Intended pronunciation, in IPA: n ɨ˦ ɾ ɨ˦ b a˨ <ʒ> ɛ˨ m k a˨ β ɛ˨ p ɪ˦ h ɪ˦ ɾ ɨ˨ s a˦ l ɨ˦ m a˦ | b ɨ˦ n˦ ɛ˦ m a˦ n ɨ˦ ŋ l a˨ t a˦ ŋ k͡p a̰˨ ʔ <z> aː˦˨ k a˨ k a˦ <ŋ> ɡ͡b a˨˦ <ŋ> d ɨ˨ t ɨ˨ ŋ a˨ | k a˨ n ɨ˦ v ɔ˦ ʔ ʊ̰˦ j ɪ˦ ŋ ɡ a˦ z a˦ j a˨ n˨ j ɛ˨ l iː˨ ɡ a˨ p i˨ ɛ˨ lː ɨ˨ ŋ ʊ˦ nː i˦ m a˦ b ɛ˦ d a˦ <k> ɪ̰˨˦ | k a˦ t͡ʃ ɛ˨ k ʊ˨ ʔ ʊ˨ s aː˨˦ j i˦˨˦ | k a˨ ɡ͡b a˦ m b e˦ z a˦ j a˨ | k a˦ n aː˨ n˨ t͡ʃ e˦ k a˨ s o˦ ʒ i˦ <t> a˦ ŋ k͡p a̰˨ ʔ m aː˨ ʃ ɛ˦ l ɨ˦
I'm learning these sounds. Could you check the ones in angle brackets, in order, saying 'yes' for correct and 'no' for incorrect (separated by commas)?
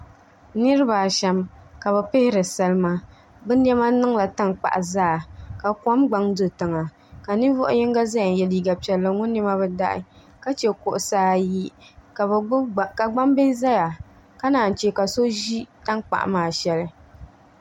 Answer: no, yes, no, yes, no, yes